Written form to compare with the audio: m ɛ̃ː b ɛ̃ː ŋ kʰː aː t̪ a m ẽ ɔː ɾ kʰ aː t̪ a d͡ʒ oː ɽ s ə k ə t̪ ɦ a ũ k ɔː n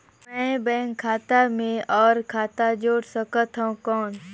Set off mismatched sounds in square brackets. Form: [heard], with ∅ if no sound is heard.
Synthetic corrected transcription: m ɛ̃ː b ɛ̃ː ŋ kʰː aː t̪ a m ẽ ɔː ɾ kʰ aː t̪ a d͡ʒ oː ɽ s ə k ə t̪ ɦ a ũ k ɔː n

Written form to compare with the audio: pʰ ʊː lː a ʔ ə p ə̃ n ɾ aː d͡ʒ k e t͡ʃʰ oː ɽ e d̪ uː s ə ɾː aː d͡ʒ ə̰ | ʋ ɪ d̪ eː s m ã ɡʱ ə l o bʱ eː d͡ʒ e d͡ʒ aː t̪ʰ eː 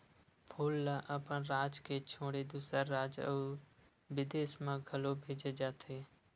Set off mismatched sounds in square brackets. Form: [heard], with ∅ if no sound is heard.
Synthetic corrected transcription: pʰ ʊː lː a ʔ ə p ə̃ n ɾ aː d͡ʒ k e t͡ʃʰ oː ɽ e d̪ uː s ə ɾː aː d͡ʒ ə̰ | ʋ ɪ d̪ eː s m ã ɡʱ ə l o bʱ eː d͡ʒ e d͡ʒ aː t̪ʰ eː

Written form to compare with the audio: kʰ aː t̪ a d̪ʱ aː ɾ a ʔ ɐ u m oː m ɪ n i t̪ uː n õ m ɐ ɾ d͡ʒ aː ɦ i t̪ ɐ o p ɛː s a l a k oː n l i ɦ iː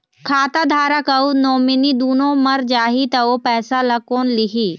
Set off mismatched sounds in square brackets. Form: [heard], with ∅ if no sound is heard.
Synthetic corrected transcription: kʰ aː t̪ a d̪ʱ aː ɾ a [k] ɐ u [n] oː m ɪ n i [d̪] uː n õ m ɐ ɾ d͡ʒ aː ɦ i t̪ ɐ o p ɛː s a l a k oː n l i ɦ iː

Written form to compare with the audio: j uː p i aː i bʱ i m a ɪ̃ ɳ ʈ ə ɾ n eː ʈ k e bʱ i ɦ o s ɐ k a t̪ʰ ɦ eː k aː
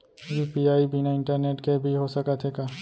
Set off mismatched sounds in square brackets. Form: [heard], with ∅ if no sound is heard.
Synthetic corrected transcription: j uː p i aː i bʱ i [n] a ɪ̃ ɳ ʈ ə ɾ n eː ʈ k e bʱ i ɦ o s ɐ k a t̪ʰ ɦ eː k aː

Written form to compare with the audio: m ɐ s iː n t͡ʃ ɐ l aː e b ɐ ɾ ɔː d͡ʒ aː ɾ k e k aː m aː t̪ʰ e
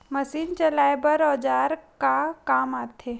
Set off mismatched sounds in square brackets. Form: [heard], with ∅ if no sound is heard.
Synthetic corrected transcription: m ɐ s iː n t͡ʃ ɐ l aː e b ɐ ɾ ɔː d͡ʒ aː ɾ k [a] k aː m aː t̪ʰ e

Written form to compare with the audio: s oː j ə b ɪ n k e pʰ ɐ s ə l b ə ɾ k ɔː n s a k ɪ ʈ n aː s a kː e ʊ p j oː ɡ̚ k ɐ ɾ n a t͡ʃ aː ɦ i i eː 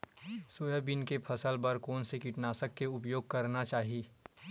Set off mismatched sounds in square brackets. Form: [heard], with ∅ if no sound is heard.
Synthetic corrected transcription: s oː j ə b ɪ n k e pʰ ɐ s ə l b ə ɾ k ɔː n s [e] k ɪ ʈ n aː s [ə] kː e ʊ p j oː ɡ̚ k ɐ ɾ n a t͡ʃ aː ɦ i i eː

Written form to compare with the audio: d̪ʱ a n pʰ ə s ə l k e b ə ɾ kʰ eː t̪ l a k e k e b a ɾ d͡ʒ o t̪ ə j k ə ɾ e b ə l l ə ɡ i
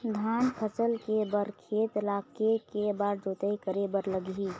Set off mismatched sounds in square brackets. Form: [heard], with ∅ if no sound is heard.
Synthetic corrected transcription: d̪ʱ a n pʰ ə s ə l k e b ə ɾ kʰ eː t̪ l a k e k e b a ɾ d͡ʒ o t̪ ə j k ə ɾ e b ə [ɾ] l ə ɡ i

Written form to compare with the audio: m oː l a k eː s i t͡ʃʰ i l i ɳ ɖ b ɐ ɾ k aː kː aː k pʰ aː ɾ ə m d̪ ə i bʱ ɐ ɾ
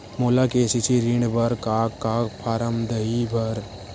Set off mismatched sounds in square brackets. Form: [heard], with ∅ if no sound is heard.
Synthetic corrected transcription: m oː l a k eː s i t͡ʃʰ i [ɾ] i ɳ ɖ b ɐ ɾ k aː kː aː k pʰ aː ɾ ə m d̪ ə i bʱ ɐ ɾ

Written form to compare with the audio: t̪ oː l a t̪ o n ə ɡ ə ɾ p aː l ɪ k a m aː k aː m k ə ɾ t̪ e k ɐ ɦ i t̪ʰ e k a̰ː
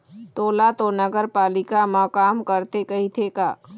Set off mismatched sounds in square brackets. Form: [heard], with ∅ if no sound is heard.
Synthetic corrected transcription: t̪ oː l a t̪ o n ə ɡ ə ɾ p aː l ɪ k a m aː k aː m k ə ɾ t̪ e k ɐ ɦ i t̪ʰ e k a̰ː

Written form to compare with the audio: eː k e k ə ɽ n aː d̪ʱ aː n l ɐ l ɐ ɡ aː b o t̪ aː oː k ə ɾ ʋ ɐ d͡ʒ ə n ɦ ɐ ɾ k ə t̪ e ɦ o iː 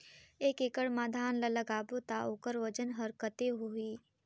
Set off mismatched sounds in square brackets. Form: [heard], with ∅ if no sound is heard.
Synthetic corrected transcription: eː k e k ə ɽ [m] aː d̪ʱ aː n l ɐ l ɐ ɡ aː b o t̪ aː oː k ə ɾ ʋ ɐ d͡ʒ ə n ɦ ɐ ɾ k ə t̪ e ɦ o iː

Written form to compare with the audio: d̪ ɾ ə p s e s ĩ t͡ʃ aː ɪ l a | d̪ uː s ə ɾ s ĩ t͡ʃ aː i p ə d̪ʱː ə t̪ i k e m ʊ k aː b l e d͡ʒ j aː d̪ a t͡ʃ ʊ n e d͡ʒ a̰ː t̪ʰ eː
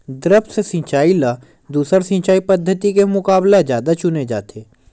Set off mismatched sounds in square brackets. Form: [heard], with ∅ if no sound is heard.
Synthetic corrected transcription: d̪ ɾ ə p s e s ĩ t͡ʃ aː [i] l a | d̪ uː s ə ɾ s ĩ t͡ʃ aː i p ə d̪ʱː ə t̪ i k e m ʊ k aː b l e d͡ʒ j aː d̪ a t͡ʃ ʊ n e d͡ʒ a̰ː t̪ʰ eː

